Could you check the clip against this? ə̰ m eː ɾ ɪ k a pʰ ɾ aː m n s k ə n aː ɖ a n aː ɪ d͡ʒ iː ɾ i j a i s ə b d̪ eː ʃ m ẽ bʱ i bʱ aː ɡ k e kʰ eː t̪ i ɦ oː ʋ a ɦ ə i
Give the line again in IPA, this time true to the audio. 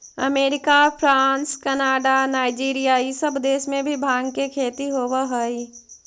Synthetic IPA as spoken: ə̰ m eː ɾ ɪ k a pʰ ɾ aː n s k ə n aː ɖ a n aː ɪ d͡ʒ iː ɾ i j a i s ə b d̪ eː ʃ m ẽ bʱ i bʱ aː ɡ k e kʰ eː t̪ i ɦ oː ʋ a ɦ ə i